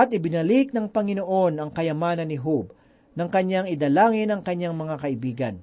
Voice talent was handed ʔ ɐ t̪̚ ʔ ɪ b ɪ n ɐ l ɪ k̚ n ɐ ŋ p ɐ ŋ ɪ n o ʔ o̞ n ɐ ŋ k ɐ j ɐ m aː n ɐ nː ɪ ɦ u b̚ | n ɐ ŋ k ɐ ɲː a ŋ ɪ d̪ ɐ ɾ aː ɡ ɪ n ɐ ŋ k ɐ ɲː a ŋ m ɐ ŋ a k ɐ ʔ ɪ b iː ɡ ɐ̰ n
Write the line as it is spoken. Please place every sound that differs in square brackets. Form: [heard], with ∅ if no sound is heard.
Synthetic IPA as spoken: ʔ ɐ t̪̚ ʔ ɪ b ɪ n ɐ l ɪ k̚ n ɐ ŋ p ɐ ŋ ɪ n o ʔ o̞ n ɐ ŋ k ɐ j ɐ m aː n ɐ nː ɪ ɦ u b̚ | n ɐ ŋ k ɐ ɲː a ŋ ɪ d̪ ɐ [l] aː [ŋ] ɪ n ɐ ŋ k ɐ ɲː a ŋ m ɐ ŋ a k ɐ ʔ ɪ b iː ɡ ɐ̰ n